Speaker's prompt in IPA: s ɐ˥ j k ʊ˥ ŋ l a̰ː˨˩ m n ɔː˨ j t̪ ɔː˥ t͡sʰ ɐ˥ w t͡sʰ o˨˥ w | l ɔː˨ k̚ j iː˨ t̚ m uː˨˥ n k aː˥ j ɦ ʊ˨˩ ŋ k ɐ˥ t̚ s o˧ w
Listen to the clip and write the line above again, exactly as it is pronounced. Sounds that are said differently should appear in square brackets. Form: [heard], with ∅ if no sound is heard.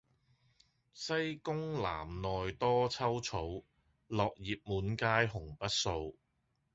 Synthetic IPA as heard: s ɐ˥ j k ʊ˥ ŋ l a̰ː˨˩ m n ɔː˨ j t̪ ɔː˥ t͡sʰ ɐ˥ w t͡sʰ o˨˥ w | l ɔː˨ k̚ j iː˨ [p̚] m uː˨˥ n k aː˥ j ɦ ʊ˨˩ ŋ [p] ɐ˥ t̚ s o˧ w